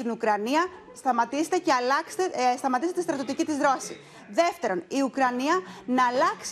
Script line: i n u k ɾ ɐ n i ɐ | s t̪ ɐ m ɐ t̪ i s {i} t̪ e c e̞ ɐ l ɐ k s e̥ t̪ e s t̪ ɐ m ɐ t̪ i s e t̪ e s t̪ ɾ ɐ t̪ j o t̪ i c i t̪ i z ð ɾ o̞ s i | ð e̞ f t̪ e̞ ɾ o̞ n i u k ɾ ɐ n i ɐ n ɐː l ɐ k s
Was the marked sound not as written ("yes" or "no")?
yes